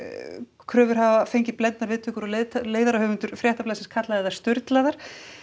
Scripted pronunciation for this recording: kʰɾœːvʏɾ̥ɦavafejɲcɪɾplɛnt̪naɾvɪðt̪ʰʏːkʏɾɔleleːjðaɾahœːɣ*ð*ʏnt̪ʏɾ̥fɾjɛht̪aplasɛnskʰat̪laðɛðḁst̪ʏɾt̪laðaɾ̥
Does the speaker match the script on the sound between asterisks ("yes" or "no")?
no